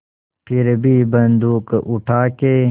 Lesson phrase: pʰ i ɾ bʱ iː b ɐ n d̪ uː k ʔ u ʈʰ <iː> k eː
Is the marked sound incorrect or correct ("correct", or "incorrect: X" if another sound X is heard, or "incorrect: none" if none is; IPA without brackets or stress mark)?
incorrect: aː